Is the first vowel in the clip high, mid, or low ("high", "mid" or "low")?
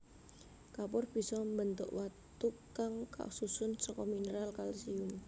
low